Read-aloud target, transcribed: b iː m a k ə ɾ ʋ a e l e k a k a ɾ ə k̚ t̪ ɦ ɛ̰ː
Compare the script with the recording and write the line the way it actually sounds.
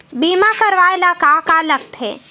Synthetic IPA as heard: b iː m a k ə ɾ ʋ a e l a k a k a l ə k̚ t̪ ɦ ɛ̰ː